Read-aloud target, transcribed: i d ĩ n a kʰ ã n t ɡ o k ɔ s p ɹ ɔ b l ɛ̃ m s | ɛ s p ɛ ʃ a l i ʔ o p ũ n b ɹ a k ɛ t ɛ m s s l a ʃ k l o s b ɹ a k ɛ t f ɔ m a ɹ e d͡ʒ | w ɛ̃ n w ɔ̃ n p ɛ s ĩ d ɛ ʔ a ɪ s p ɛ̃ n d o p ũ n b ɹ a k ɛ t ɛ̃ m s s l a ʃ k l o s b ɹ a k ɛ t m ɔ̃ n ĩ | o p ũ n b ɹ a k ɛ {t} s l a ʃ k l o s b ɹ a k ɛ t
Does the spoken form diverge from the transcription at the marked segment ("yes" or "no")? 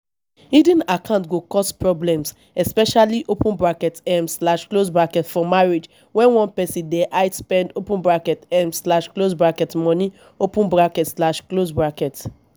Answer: no